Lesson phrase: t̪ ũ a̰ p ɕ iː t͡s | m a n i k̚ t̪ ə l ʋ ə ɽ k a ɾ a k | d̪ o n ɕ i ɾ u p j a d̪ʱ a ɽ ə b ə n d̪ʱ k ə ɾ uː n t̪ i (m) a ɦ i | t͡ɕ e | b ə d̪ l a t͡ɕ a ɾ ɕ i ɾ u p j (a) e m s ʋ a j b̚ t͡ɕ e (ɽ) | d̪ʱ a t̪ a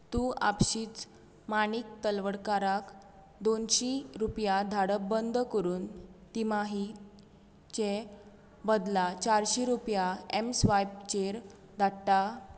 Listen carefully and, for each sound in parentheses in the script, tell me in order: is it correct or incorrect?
correct, correct, incorrect: ɾ

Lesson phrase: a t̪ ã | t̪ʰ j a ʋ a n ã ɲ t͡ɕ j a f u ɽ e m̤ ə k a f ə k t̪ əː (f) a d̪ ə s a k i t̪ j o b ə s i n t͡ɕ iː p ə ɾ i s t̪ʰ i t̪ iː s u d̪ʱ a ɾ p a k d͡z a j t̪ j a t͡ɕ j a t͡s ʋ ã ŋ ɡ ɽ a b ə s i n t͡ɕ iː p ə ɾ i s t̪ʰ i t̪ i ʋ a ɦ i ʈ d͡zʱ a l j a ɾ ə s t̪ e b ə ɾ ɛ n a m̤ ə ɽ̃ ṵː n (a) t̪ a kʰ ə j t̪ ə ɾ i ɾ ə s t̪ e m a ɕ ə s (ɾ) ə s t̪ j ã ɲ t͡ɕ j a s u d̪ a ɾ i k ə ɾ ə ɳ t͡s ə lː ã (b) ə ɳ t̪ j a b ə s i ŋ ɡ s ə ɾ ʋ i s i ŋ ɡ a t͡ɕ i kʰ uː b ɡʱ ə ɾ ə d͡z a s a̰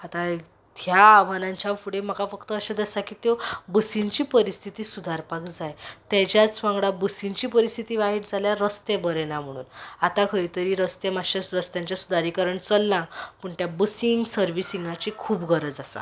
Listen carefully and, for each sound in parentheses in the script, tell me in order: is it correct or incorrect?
incorrect: ɕ, correct, correct, incorrect: p

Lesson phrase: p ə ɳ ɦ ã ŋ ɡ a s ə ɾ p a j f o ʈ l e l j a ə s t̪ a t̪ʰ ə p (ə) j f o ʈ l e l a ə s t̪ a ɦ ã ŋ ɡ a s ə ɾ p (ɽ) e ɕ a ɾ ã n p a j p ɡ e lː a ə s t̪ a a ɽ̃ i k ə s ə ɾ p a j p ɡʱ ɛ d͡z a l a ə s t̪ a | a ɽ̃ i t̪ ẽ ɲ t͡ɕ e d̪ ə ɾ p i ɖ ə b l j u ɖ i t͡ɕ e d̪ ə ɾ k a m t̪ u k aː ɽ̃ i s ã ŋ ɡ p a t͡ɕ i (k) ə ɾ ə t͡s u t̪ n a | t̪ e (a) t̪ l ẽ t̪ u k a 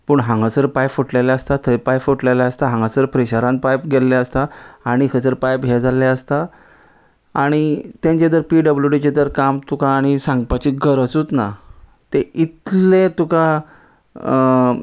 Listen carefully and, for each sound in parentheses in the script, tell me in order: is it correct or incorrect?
incorrect: a, incorrect: ɾ, incorrect: ɡ, incorrect: i

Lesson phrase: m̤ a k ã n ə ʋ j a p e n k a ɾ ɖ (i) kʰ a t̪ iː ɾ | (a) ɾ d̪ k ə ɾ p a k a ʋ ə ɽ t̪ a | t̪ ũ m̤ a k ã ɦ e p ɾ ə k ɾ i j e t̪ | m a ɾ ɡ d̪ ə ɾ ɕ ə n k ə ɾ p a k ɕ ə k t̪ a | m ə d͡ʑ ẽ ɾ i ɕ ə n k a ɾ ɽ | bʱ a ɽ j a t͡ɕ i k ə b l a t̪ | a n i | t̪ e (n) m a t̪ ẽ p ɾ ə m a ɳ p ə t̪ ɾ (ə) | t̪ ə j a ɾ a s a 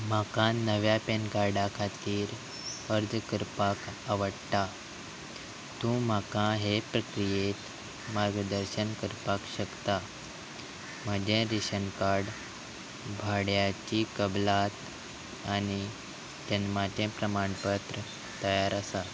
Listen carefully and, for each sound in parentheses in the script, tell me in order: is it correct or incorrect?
incorrect: a, incorrect: ə, correct, correct

